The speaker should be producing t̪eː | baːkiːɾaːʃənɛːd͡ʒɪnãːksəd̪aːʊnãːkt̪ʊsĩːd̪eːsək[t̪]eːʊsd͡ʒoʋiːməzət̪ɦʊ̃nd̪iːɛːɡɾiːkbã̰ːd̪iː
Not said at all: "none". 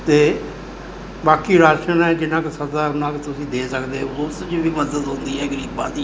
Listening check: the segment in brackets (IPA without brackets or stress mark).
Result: d̪